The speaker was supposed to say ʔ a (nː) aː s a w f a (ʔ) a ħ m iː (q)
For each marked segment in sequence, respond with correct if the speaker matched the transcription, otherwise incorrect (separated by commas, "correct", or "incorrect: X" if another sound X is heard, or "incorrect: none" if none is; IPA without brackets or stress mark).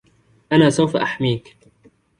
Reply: incorrect: n, correct, incorrect: k